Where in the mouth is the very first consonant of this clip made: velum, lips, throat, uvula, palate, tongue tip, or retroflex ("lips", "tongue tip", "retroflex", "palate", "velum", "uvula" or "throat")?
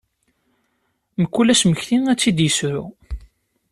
lips